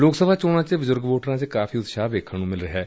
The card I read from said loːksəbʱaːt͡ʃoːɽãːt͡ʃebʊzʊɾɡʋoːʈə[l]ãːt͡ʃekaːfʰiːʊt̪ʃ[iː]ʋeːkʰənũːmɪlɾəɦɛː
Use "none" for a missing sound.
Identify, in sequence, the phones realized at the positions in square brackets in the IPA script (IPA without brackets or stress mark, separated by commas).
ɾ, aː